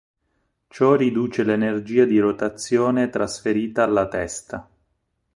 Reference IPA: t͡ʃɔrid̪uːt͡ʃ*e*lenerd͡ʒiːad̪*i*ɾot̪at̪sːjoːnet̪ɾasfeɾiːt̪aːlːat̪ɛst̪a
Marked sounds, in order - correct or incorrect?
correct, correct

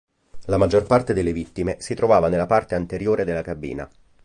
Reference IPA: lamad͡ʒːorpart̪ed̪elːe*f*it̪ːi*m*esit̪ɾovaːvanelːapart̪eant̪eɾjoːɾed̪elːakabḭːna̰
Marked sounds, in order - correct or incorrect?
incorrect: v, correct

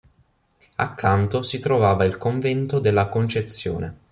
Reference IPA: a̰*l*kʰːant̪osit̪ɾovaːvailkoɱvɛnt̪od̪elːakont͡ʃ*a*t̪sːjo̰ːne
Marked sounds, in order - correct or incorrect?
incorrect: none, incorrect: e

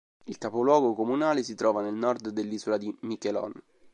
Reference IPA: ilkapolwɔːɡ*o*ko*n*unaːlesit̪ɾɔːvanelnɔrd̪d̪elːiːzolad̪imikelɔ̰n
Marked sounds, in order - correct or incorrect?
correct, incorrect: m

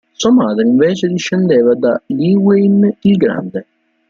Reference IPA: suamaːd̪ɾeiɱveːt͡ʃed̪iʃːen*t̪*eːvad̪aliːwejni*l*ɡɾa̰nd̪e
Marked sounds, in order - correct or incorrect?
incorrect: d̪, correct

